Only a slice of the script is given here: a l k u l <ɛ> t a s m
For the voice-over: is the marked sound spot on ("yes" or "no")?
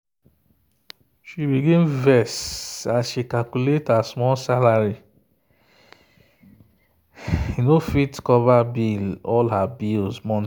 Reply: no